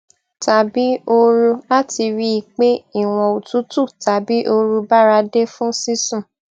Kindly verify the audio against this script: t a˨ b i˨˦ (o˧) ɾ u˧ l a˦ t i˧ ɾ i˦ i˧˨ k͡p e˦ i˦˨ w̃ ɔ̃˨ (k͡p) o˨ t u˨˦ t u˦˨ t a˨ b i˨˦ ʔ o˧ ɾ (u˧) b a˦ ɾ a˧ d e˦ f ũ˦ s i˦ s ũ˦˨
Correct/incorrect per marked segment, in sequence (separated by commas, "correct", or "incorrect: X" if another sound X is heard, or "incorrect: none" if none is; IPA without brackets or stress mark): correct, incorrect: none, correct